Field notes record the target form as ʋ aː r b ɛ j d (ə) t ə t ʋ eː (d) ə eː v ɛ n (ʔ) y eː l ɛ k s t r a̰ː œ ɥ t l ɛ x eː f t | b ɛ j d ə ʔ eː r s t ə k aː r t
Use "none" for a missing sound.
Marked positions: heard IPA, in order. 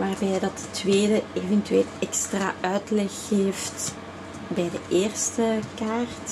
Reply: ɑ, d, t

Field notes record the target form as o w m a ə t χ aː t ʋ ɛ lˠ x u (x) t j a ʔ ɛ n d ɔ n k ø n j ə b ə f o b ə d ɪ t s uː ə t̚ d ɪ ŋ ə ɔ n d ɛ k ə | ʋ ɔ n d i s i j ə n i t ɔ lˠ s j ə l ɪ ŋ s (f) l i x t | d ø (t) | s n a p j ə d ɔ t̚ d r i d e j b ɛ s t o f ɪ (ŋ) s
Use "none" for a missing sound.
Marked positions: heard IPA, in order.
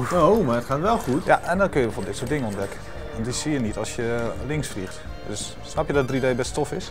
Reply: none, f, s, none

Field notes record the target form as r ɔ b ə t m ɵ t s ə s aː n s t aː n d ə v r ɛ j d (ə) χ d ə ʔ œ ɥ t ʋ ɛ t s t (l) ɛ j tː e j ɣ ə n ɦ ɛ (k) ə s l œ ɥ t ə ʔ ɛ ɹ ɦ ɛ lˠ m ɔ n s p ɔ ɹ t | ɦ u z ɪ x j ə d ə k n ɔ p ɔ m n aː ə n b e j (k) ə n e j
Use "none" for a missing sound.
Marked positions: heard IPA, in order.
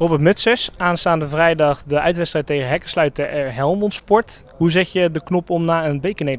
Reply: ɑ, r, k, k

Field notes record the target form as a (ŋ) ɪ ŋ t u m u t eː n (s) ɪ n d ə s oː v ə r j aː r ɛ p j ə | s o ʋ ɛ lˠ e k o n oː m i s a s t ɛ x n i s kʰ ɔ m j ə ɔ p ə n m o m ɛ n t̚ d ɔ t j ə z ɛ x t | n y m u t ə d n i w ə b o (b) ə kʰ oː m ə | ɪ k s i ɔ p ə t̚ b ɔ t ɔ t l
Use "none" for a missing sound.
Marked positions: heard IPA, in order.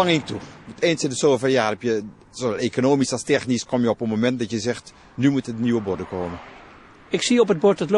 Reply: ŋ, s, d

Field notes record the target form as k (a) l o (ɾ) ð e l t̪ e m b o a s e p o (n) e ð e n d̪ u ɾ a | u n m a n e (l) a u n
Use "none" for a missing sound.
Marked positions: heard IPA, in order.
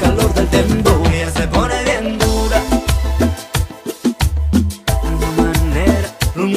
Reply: a, ɾ, n, ɾ

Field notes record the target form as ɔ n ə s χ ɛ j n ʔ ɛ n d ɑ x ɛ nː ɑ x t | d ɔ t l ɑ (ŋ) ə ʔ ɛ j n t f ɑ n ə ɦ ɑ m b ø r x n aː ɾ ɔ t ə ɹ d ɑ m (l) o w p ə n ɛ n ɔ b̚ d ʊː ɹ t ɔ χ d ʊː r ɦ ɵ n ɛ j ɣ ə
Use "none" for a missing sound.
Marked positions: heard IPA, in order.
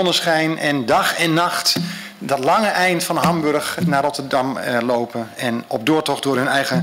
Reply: ŋ, l

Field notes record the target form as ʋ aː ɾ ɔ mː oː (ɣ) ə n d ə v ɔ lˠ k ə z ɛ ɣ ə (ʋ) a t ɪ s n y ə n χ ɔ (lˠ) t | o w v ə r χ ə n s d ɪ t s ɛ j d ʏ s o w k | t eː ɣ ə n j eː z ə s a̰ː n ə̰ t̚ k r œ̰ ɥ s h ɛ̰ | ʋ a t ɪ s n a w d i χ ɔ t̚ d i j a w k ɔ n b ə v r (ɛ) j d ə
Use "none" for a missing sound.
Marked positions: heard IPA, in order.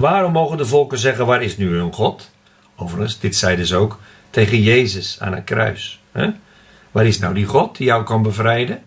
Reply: ɣ, ʋ, none, ɛ

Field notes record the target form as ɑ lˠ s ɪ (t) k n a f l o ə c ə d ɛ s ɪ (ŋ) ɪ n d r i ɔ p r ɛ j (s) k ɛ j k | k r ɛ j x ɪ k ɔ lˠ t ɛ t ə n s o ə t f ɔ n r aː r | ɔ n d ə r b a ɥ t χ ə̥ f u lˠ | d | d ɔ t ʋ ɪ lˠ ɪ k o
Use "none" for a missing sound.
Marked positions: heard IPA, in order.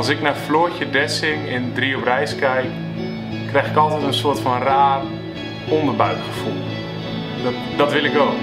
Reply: none, ŋ, s

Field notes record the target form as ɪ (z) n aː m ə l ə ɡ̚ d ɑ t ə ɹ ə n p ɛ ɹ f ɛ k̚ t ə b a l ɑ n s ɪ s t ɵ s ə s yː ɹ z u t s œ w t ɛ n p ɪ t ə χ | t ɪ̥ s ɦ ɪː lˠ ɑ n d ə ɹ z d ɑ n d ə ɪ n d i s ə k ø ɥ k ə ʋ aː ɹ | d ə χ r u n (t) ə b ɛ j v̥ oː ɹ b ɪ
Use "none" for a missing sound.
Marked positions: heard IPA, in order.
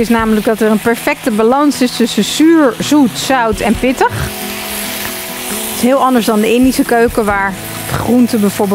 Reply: s, t

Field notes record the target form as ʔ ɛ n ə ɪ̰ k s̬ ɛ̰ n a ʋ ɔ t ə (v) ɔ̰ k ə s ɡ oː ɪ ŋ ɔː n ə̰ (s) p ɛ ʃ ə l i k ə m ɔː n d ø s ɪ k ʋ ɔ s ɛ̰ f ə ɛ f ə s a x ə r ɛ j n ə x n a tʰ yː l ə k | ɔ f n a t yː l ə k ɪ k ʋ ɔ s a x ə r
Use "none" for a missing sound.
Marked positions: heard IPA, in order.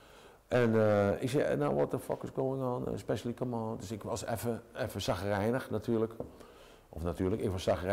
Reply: f, s

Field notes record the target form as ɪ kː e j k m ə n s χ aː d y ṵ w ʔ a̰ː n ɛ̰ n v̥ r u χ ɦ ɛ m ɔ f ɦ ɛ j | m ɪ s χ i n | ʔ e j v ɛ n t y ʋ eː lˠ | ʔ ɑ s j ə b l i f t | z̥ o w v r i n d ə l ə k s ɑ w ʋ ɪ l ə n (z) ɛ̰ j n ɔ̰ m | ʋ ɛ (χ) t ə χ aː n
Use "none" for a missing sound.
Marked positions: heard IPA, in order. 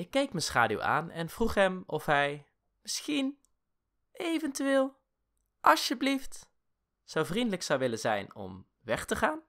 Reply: z, χ

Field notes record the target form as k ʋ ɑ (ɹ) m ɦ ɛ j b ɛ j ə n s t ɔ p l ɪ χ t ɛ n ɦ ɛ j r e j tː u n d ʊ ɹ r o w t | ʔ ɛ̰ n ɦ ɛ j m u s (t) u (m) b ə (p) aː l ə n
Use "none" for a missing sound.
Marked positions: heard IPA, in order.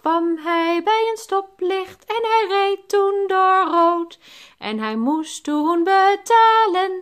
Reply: none, t, n, t

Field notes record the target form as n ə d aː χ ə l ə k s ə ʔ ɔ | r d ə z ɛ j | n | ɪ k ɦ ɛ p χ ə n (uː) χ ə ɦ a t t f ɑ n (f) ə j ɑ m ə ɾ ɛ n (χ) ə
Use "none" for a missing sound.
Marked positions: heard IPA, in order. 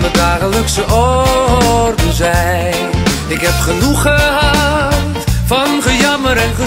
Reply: u, χ, χ

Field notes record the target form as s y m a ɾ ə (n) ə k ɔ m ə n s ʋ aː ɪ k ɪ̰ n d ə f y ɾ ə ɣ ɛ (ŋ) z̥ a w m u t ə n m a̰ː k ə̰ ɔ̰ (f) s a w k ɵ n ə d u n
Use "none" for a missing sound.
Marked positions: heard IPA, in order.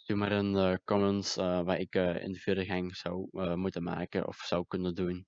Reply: n, ŋ, f

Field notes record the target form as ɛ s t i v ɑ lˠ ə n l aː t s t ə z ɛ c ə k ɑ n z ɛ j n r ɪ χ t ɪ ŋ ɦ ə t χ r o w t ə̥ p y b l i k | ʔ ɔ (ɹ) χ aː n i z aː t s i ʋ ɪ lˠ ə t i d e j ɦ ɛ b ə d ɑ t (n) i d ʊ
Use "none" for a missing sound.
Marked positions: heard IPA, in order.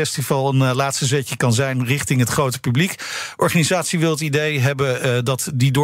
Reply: ɹ, d

